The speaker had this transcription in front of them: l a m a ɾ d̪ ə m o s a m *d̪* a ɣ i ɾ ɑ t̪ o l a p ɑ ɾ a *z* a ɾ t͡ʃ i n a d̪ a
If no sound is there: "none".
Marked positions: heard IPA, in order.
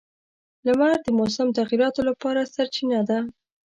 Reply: t̪, s

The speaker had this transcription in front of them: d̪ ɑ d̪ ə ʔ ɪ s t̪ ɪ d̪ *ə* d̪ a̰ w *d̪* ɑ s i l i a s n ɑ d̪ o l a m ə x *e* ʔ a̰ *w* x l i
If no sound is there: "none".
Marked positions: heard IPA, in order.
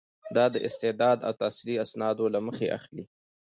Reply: ɑ, t̪, e, none

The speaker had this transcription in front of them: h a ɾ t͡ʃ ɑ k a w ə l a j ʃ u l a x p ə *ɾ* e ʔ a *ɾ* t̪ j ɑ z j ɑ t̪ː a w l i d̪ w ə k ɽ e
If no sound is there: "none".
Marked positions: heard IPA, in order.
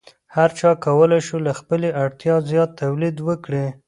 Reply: l, ɽ

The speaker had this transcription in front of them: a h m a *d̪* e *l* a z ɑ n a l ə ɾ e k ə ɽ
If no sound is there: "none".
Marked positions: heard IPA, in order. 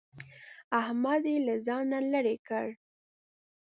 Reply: d̪, l

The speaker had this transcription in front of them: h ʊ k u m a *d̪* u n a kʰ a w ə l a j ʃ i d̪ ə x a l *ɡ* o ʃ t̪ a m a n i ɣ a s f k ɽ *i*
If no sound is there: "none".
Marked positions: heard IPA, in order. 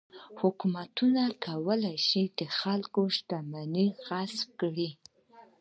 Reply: t̪, k, i

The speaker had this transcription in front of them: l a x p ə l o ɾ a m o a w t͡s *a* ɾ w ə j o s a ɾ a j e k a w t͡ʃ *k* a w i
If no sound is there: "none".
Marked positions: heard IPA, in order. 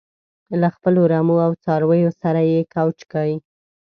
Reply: ɑ, k

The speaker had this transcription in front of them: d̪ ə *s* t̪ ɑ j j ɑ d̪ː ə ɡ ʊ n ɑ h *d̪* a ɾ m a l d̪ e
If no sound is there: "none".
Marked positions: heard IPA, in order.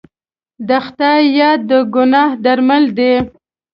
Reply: x, d̪

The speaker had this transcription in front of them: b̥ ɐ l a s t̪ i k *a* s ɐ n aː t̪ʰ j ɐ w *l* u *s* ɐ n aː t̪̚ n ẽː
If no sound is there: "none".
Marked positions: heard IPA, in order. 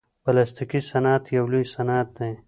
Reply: i, l, s

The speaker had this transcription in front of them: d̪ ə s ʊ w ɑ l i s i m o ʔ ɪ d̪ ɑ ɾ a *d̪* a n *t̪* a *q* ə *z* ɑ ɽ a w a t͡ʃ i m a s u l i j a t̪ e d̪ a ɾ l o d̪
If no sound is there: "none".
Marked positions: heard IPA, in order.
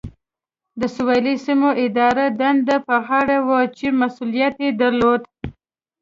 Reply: d̪, d̪, p, ɣ

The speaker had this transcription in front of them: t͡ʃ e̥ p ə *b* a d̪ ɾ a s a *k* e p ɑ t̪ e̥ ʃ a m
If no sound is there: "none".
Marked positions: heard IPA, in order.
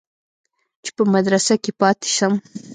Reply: m, k

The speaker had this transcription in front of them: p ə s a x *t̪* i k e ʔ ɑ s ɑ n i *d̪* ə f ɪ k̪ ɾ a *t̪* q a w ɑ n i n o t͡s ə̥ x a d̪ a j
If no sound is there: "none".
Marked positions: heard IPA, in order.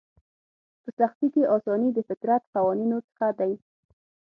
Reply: t̪, d̪, t̪

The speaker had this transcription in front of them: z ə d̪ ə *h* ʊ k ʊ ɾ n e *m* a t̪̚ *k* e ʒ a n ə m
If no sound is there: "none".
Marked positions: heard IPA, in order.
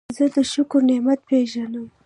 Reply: ʃ, m, p

